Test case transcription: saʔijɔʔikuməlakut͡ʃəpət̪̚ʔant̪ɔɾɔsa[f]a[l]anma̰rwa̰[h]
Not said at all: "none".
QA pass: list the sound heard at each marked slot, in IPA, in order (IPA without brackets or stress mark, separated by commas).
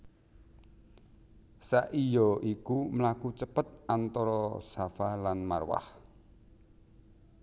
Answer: f, l, h